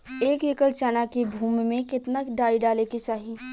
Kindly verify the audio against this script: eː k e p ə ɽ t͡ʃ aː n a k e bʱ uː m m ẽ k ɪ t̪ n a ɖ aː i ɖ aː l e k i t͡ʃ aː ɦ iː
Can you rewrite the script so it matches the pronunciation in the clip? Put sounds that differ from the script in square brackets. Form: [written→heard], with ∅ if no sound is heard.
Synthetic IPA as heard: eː k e [p→k] ə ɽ t͡ʃ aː n a k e bʱ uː m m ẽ k ɪ t̪ n a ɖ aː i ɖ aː l e k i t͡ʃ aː ɦ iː